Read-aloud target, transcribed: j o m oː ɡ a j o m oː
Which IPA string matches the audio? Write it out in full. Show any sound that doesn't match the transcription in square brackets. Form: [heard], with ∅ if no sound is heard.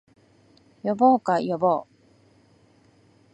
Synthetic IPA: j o [b] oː [k] a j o [b] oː